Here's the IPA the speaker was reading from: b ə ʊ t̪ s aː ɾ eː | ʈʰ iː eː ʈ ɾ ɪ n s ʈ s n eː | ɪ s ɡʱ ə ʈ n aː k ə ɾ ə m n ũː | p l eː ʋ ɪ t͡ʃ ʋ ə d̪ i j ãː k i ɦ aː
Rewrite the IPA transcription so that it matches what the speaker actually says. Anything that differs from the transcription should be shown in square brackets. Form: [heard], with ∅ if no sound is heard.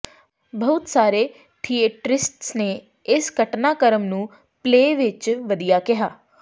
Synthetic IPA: b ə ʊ t̪ s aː ɾ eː | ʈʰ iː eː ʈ ɾ ɪ [∅] s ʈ s n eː | ɪ s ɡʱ ə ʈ n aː k ə ɾ ə m n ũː | p l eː ʋ ɪ t͡ʃ ʋ ə d̪ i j [aː] k [ɪ] ɦ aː